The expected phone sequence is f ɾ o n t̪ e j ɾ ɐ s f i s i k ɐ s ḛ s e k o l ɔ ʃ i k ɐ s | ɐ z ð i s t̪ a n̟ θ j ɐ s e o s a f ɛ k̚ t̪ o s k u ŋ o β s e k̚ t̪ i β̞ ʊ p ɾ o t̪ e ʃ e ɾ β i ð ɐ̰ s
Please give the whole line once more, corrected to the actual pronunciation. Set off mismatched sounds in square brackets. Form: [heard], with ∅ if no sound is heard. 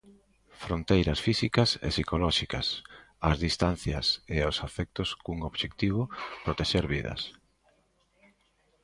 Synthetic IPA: f ɾ o n t̪ e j ɾ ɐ s f i s i k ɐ s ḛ s [i] k o l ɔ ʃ i k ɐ s | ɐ z ð i s t̪ a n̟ θ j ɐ s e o s a f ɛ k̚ t̪ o s k u ŋ o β [ʃ] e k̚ t̪ i β̞ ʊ p ɾ o t̪ e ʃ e ɾ β i ð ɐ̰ s